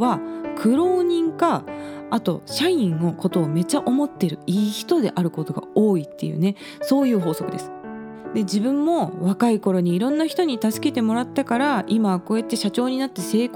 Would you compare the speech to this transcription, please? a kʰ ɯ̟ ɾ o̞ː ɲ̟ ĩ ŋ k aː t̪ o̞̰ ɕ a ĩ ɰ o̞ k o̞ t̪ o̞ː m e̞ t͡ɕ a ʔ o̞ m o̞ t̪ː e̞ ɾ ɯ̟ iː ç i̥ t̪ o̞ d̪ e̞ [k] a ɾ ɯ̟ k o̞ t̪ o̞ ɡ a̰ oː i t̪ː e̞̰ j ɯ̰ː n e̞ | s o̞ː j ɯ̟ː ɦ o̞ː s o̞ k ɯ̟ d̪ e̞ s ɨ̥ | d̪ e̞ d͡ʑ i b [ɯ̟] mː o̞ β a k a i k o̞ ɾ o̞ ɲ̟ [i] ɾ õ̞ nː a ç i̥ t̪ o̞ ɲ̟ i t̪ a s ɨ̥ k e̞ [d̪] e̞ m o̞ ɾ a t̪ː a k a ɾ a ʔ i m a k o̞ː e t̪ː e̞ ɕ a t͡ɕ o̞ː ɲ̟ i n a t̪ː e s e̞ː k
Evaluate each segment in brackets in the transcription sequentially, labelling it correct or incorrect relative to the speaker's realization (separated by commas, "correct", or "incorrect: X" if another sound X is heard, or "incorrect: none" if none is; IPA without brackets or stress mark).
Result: incorrect: ʔ, incorrect: ɯ̟̃, incorrect: iː, incorrect: t̪